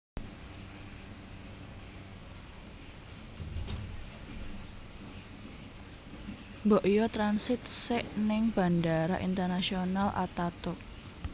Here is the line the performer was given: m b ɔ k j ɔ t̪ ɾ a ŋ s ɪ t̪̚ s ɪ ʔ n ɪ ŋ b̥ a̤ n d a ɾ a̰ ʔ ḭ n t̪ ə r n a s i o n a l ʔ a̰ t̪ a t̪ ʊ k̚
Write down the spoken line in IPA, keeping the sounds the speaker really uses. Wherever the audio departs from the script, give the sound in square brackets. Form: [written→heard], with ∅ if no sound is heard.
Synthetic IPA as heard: m b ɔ [k→ʔ] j ɔ t̪ ɾ a [ŋ→n] s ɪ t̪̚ s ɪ ʔ n ɪ ŋ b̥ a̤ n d a ɾ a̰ ʔ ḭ n t̪ ə r n a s i o n a l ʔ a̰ t̪ a t̪ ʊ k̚